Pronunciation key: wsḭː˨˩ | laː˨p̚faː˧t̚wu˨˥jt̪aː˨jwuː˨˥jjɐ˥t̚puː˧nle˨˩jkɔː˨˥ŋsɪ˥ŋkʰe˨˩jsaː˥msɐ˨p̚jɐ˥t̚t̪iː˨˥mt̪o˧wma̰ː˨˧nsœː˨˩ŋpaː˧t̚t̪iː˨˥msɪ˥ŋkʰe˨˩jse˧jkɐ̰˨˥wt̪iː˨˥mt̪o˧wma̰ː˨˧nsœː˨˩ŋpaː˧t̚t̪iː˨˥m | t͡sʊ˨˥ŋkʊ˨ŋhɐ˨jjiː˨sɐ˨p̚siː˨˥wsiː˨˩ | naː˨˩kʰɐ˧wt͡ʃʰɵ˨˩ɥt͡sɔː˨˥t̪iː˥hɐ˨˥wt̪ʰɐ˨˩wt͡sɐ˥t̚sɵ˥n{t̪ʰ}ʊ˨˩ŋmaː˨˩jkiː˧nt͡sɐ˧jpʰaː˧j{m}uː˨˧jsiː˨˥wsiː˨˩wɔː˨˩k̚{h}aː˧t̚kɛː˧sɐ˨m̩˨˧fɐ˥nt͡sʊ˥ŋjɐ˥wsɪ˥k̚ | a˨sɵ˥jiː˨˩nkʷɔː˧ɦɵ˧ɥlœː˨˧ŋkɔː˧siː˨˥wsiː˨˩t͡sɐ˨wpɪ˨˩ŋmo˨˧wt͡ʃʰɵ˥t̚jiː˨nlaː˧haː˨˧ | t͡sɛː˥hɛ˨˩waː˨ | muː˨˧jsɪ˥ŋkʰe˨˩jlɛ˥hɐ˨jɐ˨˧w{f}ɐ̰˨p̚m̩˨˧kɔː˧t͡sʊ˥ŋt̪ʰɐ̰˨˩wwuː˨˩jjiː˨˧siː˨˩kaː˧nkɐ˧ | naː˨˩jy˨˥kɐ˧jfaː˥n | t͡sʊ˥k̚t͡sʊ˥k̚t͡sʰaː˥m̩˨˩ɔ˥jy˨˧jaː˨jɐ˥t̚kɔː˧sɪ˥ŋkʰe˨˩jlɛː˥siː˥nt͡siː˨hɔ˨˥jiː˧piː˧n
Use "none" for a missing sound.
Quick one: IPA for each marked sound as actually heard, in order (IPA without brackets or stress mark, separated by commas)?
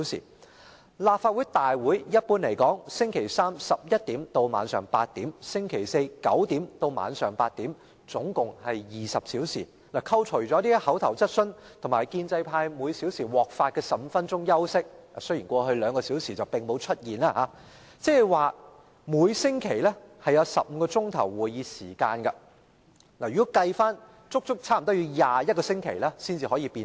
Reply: t̪ʰ, m, f, s